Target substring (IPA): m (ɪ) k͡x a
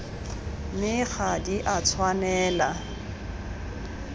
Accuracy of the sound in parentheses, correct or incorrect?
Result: correct